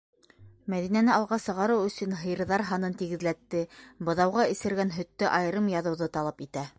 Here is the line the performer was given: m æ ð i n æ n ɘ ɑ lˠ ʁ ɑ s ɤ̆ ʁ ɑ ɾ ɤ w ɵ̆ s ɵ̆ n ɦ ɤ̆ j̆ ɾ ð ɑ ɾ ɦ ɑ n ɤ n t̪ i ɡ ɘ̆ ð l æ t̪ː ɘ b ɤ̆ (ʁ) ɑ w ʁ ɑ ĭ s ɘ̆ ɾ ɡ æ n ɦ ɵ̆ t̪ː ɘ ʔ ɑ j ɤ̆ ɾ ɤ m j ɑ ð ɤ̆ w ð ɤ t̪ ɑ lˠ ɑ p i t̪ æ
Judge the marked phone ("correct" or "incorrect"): incorrect